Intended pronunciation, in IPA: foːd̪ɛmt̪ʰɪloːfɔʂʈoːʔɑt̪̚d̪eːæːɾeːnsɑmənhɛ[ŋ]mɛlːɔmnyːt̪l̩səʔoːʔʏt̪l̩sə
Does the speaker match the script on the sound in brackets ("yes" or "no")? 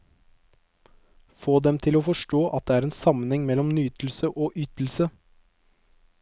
yes